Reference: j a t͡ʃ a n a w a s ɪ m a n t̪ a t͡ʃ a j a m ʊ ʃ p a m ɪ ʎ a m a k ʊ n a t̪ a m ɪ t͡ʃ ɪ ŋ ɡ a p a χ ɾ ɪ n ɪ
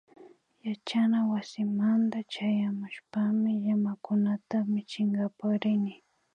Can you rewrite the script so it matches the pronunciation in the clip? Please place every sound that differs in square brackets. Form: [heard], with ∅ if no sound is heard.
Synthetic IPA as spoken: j a t͡ʃ a n a w a s ɪ m a n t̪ a t͡ʃ a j a m ʊ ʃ p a m ɪ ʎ a m a k ʊ n a t̪ a m ɪ t͡ʃ ɪ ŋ ɡ a p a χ ɾ ɪ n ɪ